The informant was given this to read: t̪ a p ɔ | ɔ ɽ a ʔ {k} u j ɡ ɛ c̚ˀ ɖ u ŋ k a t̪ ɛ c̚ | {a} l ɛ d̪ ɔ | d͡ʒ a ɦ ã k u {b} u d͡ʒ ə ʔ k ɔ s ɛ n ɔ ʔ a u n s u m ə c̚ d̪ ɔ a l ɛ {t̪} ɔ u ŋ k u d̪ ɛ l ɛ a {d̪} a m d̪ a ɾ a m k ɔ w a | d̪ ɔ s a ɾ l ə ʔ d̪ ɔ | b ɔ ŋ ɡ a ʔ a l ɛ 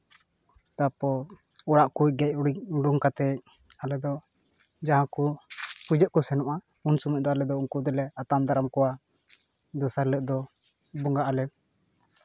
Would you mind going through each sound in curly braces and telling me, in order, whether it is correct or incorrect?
correct, correct, incorrect: p, incorrect: d̪, incorrect: t̪

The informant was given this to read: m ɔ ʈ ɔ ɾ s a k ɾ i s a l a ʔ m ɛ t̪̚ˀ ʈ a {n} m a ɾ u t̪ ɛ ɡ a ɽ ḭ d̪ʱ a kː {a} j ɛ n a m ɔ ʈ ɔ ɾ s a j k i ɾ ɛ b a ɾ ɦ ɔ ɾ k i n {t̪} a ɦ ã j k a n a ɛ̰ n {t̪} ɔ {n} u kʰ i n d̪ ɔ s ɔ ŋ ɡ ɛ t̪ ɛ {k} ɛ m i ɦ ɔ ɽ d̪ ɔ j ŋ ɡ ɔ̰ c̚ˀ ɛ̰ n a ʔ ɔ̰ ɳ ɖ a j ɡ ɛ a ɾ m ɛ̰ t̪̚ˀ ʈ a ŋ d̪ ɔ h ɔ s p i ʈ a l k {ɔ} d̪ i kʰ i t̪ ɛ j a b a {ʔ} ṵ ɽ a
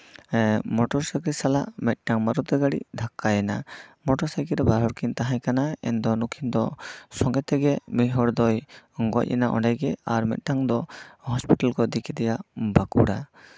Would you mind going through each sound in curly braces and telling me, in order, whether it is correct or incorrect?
incorrect: ŋ, correct, correct, incorrect: d̪, correct, incorrect: ɡ, correct, incorrect: k

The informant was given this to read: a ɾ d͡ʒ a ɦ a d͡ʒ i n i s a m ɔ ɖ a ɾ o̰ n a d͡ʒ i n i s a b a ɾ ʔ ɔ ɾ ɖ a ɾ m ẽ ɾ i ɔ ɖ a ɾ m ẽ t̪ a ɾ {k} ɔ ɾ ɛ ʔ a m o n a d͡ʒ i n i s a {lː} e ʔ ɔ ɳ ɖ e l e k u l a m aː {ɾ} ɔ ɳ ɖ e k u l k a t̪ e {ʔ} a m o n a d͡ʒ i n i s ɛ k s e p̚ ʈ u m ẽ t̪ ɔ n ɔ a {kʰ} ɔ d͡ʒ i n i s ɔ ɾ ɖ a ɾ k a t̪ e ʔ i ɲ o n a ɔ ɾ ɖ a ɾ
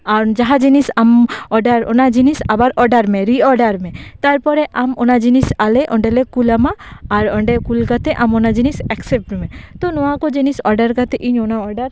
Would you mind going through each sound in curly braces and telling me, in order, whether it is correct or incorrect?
incorrect: p, incorrect: l, correct, correct, incorrect: k

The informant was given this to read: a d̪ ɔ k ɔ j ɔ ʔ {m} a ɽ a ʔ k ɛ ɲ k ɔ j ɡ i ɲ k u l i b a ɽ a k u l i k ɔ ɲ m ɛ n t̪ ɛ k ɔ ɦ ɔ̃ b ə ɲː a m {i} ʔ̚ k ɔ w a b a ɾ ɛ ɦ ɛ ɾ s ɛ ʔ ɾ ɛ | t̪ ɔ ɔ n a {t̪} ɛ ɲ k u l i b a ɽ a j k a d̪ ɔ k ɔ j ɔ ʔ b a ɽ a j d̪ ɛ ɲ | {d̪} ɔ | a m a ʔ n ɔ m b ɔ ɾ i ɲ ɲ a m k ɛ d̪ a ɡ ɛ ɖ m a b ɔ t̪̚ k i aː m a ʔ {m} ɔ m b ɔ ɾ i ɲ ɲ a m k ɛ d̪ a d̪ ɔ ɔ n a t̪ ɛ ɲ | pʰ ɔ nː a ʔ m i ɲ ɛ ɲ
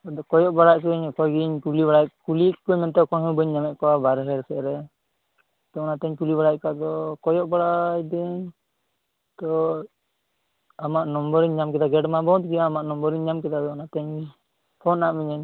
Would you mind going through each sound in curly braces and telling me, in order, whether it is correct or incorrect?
incorrect: b, incorrect: ɛ, correct, incorrect: t̪, incorrect: n

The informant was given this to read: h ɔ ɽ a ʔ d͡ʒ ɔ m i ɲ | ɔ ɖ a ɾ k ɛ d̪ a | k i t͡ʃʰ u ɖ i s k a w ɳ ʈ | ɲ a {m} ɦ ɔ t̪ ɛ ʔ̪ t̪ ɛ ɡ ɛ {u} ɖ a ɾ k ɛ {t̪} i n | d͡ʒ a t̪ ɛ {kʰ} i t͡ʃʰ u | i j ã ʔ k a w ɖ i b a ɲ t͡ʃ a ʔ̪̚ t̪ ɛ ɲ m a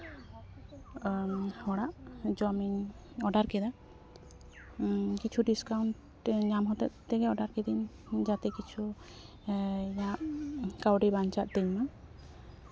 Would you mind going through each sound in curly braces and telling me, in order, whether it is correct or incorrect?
correct, incorrect: ɔ, incorrect: d̪, incorrect: k

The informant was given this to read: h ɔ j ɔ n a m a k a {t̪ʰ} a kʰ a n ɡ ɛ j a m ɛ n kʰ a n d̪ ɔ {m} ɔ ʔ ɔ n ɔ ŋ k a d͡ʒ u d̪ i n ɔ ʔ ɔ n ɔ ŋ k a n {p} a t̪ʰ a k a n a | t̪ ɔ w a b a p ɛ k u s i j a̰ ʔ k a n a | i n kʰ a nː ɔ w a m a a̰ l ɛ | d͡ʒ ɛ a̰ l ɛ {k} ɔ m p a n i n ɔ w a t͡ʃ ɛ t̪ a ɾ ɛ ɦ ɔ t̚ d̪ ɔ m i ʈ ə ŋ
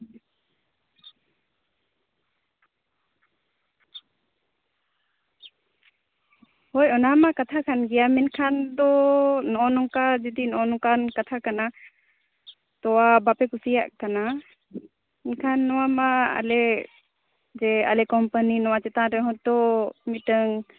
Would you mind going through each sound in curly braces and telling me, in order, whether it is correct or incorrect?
correct, incorrect: n, incorrect: k, correct

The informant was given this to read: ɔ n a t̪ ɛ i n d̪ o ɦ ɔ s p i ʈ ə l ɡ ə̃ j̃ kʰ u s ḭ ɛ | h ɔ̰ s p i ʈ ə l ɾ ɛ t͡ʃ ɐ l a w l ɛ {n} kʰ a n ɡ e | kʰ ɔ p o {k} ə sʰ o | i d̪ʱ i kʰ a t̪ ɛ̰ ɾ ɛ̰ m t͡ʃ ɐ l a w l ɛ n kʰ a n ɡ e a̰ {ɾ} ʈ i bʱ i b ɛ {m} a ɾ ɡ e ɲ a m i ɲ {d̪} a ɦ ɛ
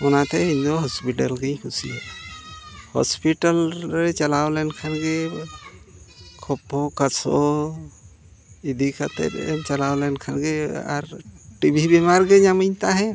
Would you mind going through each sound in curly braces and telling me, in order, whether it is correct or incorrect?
correct, correct, correct, correct, incorrect: t̪

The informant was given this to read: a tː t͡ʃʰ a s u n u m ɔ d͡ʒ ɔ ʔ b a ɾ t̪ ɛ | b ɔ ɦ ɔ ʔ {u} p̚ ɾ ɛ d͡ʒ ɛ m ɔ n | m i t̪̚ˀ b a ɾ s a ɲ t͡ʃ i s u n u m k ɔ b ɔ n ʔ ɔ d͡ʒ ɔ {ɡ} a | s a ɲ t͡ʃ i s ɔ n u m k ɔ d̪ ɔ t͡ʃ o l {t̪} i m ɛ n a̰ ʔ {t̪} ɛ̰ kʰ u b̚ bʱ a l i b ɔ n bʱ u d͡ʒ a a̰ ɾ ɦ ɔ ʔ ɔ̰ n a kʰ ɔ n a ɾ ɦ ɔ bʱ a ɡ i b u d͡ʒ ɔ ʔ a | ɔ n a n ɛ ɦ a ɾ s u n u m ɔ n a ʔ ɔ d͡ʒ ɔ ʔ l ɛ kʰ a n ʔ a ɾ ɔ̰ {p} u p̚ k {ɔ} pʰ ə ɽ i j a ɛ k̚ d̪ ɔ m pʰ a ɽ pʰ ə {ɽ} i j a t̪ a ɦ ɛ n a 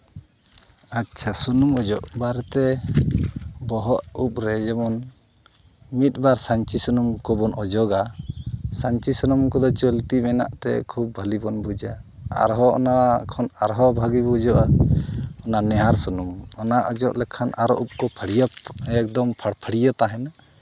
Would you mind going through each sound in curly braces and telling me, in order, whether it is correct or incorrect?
correct, correct, correct, correct, incorrect: ʔ, correct, correct

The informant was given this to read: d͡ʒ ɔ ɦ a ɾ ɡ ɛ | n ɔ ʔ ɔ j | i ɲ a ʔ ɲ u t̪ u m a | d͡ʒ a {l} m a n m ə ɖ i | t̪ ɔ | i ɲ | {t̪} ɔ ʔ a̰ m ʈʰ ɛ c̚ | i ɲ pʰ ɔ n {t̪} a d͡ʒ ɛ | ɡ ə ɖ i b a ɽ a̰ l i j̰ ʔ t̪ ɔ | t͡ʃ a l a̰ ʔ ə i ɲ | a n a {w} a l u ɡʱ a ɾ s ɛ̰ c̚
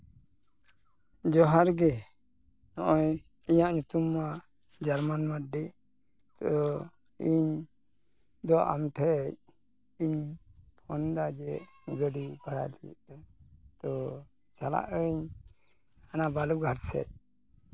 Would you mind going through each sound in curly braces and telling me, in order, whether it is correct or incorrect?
incorrect: ɾ, incorrect: d̪, incorrect: d̪, incorrect: b

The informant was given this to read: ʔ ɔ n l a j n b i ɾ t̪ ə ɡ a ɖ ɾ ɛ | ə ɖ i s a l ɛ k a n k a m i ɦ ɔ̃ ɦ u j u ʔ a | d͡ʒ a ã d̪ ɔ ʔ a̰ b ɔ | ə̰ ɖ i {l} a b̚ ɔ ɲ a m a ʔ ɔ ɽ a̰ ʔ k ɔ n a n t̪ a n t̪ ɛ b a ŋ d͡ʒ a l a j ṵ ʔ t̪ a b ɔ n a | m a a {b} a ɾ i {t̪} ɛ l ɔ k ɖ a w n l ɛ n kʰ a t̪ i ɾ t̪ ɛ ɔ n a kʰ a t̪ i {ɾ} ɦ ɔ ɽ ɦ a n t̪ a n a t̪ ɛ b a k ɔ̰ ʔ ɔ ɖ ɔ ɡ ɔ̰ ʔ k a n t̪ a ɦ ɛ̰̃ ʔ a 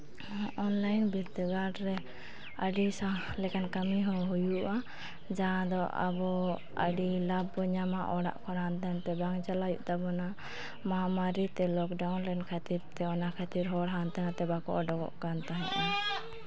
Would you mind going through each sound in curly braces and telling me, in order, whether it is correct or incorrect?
correct, incorrect: m, correct, correct

